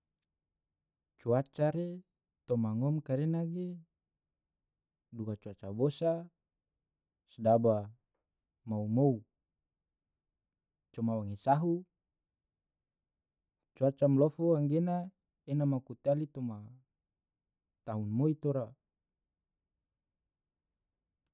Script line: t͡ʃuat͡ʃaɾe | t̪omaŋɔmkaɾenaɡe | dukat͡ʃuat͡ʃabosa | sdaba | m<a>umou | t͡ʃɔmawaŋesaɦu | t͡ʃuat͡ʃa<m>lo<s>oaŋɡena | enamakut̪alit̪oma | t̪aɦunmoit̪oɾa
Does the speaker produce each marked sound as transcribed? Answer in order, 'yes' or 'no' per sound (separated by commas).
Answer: yes, yes, no